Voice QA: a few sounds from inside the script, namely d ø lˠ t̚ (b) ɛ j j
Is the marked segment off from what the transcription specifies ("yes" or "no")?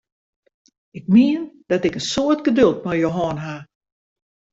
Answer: yes